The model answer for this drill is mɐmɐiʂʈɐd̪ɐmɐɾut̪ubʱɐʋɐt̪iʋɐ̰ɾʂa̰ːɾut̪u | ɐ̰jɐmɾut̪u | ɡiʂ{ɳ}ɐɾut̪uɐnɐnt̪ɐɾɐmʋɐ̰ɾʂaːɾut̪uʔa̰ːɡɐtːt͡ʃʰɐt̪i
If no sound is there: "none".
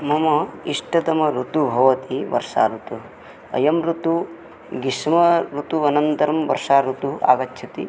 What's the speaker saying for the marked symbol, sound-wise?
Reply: m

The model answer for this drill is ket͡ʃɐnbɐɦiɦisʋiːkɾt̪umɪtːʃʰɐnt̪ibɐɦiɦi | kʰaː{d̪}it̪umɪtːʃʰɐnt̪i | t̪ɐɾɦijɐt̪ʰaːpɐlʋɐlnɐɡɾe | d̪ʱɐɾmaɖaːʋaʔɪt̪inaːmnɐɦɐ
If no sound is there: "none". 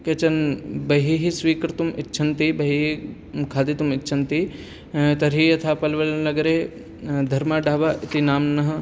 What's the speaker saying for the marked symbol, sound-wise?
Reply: d̪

